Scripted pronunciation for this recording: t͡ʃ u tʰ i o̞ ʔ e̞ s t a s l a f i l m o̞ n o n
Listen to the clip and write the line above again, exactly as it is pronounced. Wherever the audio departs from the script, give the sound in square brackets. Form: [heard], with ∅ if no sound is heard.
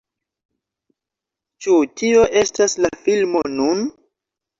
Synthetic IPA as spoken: t͡ʃ u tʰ i o̞ ʔ e̞ s t a s l a f i l m o̞ n [u] n